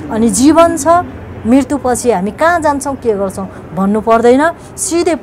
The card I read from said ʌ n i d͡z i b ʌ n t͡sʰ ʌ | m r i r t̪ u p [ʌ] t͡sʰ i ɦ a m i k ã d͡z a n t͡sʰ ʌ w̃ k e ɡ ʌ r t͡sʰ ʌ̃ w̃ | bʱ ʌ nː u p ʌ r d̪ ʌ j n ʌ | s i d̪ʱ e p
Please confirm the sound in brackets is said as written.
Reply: yes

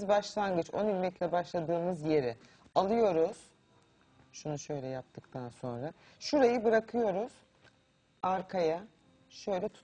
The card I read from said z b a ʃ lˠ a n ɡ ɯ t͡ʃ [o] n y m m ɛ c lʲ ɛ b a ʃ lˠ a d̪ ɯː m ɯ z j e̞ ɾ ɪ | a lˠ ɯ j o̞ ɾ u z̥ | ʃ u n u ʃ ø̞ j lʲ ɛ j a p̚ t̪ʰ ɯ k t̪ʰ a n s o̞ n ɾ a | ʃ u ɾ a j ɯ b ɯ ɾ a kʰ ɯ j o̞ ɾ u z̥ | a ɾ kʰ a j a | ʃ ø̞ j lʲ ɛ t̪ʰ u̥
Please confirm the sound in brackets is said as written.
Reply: yes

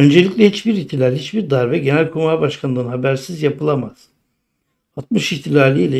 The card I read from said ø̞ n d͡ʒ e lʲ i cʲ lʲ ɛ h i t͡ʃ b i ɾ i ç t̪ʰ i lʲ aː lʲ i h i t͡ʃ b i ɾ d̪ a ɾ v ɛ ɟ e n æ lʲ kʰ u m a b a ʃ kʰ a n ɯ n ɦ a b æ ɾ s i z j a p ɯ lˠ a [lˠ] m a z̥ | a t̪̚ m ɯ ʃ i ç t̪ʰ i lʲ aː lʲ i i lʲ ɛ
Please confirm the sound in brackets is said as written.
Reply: no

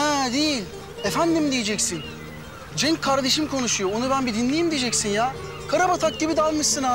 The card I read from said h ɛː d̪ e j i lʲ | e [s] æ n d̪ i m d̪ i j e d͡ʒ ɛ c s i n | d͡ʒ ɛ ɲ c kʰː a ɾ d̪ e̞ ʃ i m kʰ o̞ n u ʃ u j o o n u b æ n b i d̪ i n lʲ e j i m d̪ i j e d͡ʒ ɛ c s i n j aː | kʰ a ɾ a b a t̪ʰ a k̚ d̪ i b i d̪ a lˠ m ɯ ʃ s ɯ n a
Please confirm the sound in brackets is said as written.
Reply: no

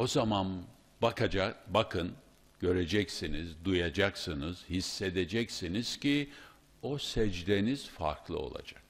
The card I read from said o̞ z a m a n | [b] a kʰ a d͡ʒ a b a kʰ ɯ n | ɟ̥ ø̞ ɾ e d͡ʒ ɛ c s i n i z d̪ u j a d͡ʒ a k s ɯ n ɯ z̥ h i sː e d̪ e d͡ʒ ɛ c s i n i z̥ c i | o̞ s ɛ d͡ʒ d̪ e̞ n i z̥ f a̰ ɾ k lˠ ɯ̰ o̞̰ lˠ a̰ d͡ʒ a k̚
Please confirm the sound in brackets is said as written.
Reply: yes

